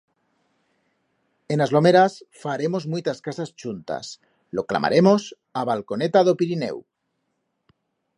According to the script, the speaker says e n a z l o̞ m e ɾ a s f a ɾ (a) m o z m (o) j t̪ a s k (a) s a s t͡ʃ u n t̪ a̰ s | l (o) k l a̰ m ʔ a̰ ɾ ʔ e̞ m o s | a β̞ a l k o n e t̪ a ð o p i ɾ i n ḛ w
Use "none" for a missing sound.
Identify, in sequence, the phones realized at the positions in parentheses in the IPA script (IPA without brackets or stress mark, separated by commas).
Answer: e, u, a, o